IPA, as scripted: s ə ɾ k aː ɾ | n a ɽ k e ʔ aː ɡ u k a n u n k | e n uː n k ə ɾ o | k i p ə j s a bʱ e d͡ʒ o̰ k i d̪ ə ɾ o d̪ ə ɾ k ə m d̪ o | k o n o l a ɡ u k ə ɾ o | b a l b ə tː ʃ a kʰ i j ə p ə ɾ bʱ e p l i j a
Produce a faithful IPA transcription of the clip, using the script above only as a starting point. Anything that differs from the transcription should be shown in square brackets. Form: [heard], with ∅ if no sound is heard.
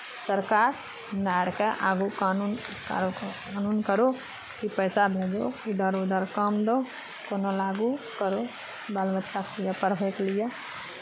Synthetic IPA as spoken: s ə ɾ k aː ɾ | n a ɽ k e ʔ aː ɡ u k a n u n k | [a] n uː n k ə ɾ o | k i p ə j s a bʱ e d͡ʒ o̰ k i d̪ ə ɾ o d̪ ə ɾ k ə m d̪ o | k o n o l a ɡ u k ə ɾ o | b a l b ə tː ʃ a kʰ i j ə p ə ɾ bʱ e [k] l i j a